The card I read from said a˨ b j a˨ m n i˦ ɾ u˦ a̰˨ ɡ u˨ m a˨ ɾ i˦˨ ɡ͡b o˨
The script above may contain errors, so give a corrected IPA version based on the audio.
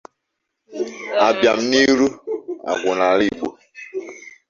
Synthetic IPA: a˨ b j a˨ m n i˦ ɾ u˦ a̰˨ ɡ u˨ n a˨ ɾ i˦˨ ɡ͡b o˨